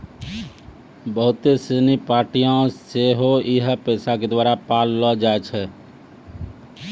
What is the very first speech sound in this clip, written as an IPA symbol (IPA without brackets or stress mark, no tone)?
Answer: b